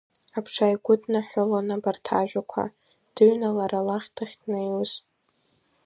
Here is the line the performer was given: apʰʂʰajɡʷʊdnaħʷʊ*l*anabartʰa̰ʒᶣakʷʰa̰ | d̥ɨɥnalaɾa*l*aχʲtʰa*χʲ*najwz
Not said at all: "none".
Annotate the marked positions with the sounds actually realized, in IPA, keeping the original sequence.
l, l, χʲ

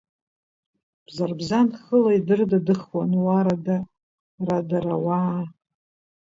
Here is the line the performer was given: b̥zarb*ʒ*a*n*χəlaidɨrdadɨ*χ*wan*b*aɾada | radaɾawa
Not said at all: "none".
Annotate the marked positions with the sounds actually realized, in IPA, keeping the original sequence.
z, n, χ, w

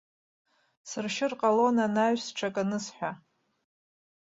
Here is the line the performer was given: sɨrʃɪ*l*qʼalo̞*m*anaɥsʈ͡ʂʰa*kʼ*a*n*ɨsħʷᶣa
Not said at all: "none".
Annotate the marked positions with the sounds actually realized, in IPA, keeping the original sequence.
r, n, kʼ, n

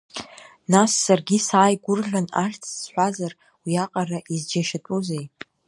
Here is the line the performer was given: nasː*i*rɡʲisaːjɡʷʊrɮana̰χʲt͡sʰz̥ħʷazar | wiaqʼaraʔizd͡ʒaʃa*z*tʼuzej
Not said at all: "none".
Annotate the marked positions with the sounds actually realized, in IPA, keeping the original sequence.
a, none

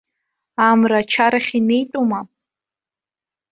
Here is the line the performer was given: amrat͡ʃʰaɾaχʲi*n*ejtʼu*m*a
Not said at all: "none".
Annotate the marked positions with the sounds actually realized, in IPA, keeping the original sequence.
n, m

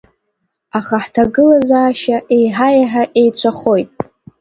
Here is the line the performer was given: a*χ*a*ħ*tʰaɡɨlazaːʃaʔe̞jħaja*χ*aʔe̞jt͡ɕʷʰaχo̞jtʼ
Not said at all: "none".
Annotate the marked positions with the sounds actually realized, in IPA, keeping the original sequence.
χ, ħ, ħ

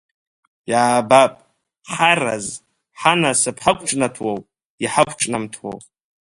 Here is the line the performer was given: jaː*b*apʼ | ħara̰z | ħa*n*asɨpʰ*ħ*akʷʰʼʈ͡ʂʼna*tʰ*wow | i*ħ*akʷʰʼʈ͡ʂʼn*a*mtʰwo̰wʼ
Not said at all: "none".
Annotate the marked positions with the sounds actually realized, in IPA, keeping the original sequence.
b, n, ħ, tʰ, ħ, a

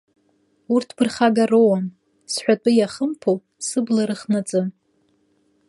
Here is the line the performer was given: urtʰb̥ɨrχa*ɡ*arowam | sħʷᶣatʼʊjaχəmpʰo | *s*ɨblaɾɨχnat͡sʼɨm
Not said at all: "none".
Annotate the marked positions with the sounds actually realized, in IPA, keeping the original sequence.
ɡ, s

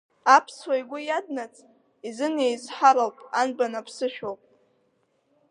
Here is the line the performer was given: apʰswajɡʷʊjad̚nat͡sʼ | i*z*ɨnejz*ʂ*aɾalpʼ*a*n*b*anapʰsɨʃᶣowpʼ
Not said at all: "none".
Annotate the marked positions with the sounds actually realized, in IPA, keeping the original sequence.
z, ħ, a, b

